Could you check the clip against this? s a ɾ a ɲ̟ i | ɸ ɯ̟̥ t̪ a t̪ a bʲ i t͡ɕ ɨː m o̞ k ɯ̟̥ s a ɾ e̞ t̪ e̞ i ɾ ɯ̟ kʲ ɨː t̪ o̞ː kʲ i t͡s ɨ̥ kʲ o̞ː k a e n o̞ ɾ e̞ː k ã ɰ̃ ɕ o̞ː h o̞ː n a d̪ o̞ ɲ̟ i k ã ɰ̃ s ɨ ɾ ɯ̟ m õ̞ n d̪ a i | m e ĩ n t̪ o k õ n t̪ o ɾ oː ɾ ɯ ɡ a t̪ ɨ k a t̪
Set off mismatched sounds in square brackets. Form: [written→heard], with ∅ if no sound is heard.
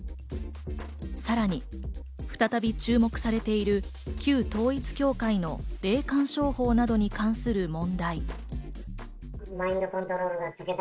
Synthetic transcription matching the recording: s a ɾ a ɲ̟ i | ɸ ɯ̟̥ t̪ a t̪ a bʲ i t͡ɕ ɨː m o̞ k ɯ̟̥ s a ɾ e̞ t̪ e̞ i ɾ ɯ̟ kʲ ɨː t̪ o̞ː [kʲ→∅] i t͡s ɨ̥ kʲ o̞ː k a [e→i] n o̞ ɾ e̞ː k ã ɰ̃ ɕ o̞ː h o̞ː n a d̪ o̞ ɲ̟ i k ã ɰ̃ s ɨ ɾ ɯ̟ m õ̞ n d̪ a i | m [e→a] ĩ n [t̪→d̪] o k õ n t̪ o ɾ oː ɾ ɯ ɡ a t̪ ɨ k [a→e] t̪